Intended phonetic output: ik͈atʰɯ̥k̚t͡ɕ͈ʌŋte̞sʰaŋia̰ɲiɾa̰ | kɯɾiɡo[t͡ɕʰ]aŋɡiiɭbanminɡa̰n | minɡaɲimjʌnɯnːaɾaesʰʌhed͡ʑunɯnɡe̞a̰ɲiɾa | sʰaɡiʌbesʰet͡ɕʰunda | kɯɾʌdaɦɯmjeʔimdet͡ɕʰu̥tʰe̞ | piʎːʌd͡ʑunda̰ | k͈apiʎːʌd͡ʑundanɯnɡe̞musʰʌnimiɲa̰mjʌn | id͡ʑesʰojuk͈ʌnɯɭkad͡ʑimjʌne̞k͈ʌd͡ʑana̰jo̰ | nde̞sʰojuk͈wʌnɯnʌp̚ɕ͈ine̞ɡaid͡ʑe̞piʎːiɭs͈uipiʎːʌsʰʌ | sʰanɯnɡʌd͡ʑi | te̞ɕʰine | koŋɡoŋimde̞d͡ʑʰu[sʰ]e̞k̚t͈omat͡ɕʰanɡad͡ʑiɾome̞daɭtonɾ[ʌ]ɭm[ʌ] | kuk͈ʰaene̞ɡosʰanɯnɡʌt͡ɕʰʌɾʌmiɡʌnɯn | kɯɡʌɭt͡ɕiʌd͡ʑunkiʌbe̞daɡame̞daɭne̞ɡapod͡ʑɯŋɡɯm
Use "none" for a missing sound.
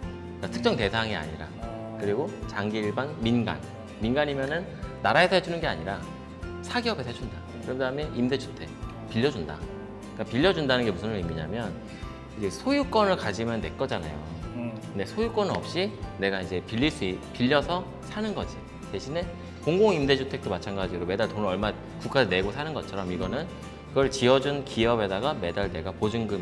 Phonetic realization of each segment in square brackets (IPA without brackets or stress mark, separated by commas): t͡ɕ, tʰ, ʌ, a